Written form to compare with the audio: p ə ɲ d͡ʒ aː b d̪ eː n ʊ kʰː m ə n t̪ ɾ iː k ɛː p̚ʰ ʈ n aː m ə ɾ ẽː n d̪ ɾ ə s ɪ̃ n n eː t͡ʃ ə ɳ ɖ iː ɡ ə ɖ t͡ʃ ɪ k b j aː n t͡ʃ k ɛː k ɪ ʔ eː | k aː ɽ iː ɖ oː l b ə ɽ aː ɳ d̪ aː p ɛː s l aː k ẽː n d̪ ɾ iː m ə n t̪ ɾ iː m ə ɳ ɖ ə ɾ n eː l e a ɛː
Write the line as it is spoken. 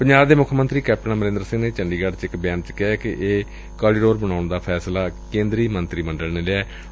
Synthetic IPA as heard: p ə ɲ d͡ʒ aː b d̪ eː m ʊ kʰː m ə n t̪ ɾ iː k ɛː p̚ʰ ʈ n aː m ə ɾ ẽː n d̪ ɾ ə s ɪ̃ ŋ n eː t͡ʃ ə ɳ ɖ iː ɡ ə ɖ t͡ʃ ɪ k b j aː n t͡ʃ k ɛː k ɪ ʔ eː | k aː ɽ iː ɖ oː ɾ b ə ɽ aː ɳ d̪ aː pʰ ɛː s l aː k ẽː n d̪ ɾ iː m ə n t̪ ɾ iː m ə ɳ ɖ ə l n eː l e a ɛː

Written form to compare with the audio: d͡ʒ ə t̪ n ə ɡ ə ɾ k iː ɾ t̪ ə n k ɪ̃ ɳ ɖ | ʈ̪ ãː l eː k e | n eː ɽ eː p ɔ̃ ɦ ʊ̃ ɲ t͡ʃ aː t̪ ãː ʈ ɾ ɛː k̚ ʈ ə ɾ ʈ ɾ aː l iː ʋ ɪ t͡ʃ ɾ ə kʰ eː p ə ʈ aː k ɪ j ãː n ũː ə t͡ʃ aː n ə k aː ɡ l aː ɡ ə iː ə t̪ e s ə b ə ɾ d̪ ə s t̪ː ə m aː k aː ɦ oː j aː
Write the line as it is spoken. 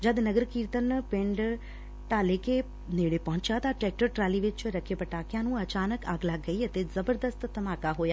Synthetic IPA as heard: d͡ʒ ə d̪ n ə ɡ ə ɾ k iː ɾ t̪ ə n p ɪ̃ ɳ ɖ | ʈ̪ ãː l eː k e | n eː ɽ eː p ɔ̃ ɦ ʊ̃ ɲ t͡ʃ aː t̪ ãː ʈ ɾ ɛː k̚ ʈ ə ɾ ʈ ɾ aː l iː ʋ ɪ t͡ʃ ɾ ə kʰ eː p ə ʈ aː k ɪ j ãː n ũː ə t͡ʃ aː n ə k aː ɡ l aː ɡ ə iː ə t̪ e z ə b ə ɾ d̪ ə s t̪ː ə m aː k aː ɦ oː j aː

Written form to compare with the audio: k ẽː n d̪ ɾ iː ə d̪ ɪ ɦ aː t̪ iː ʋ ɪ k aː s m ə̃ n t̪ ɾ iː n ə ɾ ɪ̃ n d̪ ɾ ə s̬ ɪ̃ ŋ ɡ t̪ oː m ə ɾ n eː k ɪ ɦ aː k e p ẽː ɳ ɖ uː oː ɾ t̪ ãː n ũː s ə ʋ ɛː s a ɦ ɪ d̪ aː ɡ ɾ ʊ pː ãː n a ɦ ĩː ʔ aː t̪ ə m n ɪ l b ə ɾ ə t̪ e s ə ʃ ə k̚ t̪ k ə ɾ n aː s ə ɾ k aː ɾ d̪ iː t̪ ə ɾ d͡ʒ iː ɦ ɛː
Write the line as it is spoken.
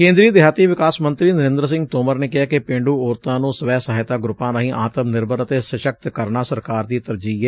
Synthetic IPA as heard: k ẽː n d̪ ɾ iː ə d̪ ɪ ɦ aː t̪ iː ʋ ɪ k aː s m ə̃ n t̪ ɾ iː n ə ɾ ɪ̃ n d̪ ɾ ə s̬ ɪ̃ ŋ ɡ t̪ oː m ə ɾ n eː k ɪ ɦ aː k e p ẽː ɳ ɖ uː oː ɾ t̪ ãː n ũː s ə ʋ ɛː s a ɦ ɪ t̪ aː ɡ ɾ ʊ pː ãː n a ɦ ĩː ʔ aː t̪ ə m n ɪ ɾ b ə ɾ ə t̪ e s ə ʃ ə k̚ t̪ k ə ɾ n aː s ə ɾ k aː ɾ d̪ iː t̪ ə ɾ d͡ʒ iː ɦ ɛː

